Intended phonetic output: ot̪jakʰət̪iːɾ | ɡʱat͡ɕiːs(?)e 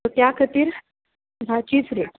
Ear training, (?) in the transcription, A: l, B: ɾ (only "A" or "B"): B